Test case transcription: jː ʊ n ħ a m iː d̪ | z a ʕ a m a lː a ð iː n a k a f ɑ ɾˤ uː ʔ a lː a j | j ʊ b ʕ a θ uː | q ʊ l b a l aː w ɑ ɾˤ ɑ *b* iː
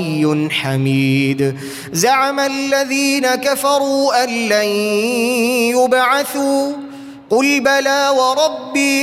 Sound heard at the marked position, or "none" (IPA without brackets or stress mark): bː